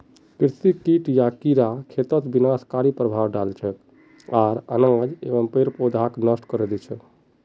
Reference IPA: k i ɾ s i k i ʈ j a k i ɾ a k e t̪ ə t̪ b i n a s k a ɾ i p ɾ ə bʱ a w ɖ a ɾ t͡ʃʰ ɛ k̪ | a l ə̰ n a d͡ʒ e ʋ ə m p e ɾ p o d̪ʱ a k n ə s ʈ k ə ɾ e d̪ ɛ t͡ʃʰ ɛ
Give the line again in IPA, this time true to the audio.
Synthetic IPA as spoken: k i ɾ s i k i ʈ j a k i ɾ a kʰ e t̪ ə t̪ b i n a s k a ɾ i p ɾ ə bʱ a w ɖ a l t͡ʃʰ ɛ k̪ | a ɾ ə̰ n a d͡ʒ e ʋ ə m p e ɾ p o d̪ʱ a k n ə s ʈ k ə ɾ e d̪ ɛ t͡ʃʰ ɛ